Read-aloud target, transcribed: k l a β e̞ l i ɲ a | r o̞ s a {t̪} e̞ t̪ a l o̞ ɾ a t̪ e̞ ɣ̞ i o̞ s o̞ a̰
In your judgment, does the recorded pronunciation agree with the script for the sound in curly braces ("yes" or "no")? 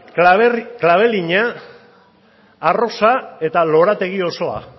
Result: no